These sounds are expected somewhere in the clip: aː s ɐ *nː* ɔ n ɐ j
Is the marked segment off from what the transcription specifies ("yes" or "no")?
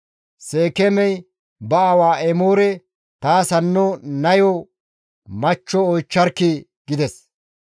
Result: no